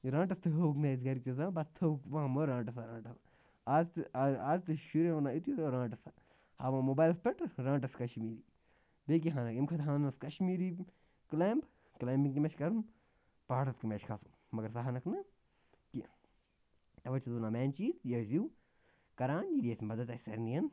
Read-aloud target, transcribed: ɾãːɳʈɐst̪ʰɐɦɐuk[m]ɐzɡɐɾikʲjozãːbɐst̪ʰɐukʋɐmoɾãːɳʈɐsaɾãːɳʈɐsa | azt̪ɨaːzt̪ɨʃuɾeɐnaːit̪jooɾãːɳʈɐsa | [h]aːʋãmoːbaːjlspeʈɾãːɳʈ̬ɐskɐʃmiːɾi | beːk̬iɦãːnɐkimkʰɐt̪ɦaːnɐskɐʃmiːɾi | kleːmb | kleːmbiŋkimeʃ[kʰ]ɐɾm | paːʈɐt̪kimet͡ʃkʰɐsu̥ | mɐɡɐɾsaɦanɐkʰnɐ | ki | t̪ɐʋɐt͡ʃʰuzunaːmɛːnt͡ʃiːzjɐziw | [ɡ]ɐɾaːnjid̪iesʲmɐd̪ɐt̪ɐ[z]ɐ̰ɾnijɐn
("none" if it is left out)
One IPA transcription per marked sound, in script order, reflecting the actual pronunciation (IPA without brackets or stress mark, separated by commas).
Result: n, h, k, k, s